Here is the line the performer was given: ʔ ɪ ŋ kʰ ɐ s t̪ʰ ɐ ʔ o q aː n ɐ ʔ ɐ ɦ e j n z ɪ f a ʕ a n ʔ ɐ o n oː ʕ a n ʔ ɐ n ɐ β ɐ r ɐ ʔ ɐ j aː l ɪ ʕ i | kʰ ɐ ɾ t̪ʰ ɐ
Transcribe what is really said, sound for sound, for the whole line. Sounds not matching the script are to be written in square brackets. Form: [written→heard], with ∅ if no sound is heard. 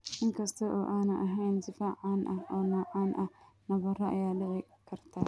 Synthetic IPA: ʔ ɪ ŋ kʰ ɐ s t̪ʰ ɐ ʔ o [q→ʔ] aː n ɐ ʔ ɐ ɦ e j n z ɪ f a ʕ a n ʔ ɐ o n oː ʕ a n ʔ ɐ n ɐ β ɐ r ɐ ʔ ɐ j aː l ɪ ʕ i | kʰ ɐ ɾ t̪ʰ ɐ